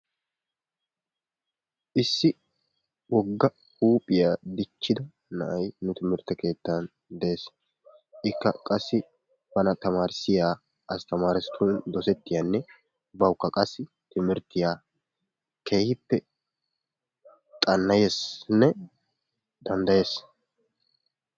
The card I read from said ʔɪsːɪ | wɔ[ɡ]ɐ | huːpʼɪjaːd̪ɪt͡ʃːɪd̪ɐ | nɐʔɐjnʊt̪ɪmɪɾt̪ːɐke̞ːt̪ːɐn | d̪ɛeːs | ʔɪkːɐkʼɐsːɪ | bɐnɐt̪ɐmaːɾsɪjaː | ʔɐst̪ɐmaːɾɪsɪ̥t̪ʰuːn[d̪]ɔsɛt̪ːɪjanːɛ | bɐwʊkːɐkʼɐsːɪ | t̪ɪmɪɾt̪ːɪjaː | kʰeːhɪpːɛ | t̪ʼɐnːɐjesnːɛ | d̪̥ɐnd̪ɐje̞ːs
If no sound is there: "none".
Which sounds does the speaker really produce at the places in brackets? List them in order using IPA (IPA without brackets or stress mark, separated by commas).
ɡː, d̪